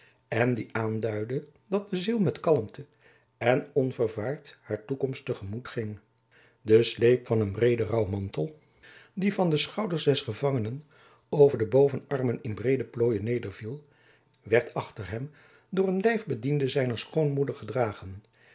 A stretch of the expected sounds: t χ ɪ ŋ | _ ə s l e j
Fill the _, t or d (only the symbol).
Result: d